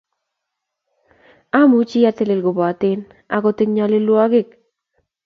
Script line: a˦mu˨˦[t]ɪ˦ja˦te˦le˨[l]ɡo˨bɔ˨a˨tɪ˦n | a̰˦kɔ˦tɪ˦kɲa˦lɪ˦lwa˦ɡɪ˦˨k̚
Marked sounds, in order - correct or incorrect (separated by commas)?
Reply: incorrect, correct